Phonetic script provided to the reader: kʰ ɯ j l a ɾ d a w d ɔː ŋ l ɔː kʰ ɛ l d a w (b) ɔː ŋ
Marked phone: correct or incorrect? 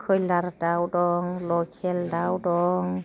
incorrect